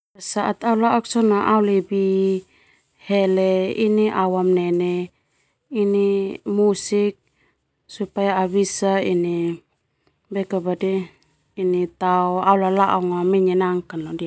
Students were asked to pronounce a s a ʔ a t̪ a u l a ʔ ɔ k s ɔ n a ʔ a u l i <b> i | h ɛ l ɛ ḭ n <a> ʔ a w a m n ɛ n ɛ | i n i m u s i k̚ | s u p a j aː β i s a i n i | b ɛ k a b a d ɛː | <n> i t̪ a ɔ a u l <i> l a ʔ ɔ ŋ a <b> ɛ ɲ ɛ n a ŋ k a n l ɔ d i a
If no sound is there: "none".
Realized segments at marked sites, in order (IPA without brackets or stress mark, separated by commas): b, i, n, a, m